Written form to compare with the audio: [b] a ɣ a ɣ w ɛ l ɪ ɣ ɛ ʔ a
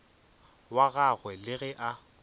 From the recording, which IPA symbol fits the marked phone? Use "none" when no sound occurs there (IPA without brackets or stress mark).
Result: w